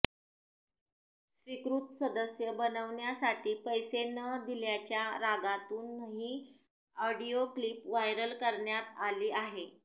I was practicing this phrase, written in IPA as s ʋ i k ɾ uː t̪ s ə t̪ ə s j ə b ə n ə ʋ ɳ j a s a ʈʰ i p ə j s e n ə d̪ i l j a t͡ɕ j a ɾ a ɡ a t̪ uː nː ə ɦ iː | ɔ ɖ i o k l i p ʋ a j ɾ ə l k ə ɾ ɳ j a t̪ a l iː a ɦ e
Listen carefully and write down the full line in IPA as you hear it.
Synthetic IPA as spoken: s ʋ i k ɾ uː t̪ s ə d̪ ə s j ə b ə n ə ʋ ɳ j a s a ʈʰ iː p ə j s e n ə d̪ i l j a t͡ɕ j a ɾ a ɡ a t̪ uː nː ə ɦ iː | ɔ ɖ i o k l i p ʋ a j ɾ ə l k ə ɾ ɳ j a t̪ a l iː a ɦ e